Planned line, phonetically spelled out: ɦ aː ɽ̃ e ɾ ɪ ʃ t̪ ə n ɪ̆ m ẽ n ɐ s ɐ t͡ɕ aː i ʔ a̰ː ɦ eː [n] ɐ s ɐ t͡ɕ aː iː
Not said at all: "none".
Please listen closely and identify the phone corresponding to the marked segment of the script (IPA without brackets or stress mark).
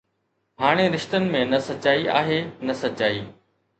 n